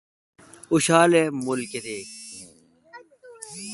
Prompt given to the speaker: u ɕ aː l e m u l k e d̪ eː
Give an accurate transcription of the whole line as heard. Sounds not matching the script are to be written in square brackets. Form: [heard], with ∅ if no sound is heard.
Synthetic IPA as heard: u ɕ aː l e m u l k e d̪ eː